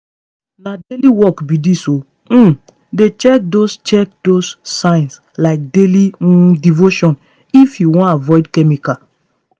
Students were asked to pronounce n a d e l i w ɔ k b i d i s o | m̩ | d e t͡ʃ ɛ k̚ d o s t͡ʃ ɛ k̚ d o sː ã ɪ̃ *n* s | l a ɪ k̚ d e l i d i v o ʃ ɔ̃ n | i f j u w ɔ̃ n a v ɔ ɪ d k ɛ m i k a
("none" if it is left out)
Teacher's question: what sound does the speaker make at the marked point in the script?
n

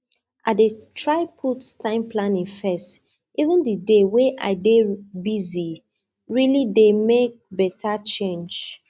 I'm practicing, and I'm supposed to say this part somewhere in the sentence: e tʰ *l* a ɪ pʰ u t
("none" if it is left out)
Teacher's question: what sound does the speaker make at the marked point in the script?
ɹ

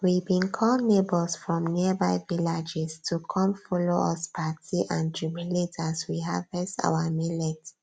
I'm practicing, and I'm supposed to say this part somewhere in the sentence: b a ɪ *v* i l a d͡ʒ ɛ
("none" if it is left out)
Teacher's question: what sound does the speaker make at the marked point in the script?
v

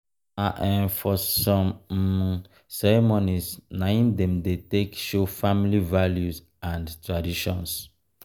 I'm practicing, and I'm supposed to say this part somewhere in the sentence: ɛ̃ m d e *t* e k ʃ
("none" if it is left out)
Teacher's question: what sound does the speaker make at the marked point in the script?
t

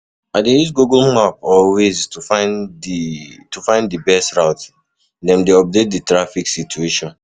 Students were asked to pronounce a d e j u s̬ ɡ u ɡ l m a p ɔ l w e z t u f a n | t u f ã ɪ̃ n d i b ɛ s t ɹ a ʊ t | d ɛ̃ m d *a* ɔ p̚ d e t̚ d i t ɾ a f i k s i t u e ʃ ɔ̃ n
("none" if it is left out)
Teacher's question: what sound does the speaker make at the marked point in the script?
e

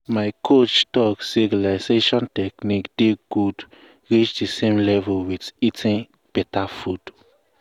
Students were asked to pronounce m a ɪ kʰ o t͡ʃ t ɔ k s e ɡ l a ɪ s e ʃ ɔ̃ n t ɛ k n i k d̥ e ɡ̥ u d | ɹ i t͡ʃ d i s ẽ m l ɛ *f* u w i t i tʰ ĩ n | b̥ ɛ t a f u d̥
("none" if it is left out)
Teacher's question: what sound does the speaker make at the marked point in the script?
v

